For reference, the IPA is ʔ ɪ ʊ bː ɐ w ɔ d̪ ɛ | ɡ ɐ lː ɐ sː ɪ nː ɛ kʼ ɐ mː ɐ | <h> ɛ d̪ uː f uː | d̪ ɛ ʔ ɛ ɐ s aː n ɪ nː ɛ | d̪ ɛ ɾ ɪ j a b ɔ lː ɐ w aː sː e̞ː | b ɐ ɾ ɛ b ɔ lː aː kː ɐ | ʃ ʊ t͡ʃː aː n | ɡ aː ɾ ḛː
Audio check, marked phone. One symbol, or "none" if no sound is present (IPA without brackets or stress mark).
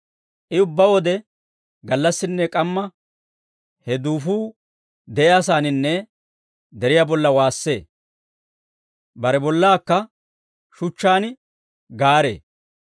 h